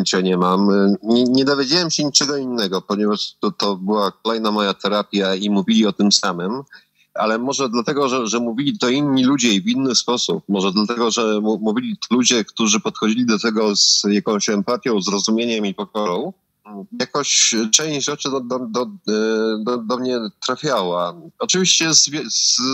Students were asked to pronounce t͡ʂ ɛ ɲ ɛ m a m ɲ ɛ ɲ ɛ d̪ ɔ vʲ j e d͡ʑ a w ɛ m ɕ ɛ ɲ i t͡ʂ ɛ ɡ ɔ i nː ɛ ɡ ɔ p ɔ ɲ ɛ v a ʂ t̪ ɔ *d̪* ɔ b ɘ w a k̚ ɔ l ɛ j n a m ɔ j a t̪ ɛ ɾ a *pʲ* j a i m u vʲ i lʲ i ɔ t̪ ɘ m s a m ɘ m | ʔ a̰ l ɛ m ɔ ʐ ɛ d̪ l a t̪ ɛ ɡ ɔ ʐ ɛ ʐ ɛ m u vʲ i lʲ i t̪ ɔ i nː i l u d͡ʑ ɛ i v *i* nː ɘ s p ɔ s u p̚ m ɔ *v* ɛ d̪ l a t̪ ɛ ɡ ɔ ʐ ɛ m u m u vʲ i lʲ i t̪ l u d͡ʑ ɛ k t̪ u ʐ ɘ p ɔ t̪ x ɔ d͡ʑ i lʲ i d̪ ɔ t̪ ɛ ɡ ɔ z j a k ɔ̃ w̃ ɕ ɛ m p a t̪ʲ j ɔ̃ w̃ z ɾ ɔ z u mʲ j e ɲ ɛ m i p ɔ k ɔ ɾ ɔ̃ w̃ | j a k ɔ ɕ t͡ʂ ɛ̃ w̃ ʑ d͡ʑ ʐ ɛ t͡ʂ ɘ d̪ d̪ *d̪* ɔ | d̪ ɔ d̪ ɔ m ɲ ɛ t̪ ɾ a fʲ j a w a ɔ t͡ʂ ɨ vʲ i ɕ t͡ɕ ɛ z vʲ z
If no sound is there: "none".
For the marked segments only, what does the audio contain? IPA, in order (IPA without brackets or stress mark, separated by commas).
t̪, pʲ, i, ʐ, d̪